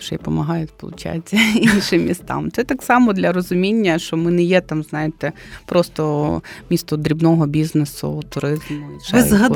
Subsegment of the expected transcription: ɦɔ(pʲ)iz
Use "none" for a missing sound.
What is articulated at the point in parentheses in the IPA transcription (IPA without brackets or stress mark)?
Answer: bʲ